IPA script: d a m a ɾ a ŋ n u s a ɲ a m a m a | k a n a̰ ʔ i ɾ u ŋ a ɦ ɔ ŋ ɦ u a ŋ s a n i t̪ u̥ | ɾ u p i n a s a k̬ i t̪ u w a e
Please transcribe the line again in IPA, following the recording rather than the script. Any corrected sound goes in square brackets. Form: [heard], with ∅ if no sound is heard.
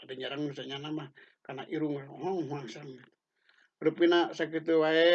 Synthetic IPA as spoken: d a [ɲ] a ɾ a ŋ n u s a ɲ a [n] a m a | k a n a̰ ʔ i ɾ u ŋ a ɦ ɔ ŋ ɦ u a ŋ s a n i t̪ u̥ | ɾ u p i n a s a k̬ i t̪ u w a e